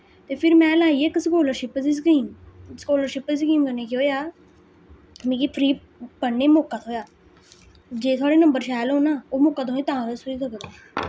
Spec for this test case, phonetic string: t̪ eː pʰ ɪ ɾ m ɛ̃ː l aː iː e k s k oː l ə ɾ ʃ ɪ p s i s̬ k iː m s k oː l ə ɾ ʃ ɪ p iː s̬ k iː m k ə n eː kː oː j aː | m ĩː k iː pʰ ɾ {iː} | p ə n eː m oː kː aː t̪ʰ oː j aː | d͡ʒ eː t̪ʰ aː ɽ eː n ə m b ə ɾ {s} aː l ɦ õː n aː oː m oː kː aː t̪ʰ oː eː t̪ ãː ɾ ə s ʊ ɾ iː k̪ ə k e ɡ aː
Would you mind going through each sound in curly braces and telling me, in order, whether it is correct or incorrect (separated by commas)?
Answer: correct, incorrect